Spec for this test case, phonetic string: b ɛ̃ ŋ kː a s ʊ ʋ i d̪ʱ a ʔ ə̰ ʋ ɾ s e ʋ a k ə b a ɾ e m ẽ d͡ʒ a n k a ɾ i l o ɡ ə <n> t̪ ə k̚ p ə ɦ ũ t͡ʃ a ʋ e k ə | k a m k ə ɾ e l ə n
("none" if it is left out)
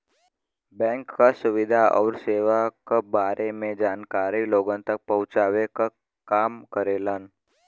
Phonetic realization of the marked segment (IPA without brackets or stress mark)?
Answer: n